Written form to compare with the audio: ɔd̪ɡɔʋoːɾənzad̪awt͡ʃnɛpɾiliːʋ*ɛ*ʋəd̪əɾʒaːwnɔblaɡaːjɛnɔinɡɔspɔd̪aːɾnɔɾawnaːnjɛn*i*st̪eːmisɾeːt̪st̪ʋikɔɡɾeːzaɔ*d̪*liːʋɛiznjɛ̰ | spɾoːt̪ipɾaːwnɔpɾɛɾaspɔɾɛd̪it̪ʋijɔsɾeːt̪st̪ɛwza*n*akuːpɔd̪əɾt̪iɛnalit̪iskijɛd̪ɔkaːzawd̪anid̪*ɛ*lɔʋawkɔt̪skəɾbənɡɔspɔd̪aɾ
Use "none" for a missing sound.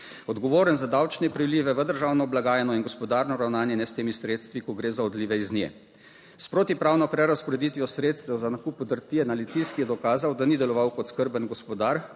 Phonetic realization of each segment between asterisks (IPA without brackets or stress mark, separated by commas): ɛ, ɛ, d̪, n, ɛ